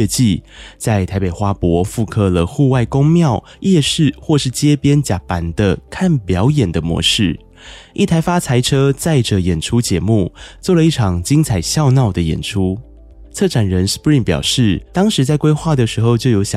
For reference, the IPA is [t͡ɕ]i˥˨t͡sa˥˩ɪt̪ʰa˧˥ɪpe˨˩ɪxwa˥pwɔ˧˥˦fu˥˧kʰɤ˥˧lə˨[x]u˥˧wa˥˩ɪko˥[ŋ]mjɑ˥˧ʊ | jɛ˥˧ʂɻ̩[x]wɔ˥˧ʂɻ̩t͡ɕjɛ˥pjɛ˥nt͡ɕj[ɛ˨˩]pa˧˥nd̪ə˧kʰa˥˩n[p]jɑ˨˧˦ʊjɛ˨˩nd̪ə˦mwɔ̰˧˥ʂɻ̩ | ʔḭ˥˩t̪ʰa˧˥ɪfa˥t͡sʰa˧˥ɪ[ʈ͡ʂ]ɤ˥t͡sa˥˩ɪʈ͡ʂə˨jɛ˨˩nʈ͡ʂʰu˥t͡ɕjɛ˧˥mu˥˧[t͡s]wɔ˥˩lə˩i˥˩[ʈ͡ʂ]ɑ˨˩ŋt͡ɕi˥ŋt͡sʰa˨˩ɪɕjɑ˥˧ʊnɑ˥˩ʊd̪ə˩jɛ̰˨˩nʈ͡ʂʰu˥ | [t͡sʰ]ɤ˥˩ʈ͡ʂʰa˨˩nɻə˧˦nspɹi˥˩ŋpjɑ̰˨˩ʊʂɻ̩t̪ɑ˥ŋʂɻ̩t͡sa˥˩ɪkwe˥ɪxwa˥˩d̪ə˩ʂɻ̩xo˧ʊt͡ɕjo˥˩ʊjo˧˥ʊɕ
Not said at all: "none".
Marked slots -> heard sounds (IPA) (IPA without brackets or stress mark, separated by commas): t͡ɕ, x, ŋ, x, a˨˩, p, ʈ͡ʂʰ, t͡s, ʈ͡ʂʰ, t͡sʰ